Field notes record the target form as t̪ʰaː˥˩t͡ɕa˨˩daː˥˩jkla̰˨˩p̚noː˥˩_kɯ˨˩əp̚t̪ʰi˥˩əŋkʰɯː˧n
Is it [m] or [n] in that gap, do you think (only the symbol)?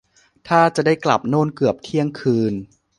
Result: n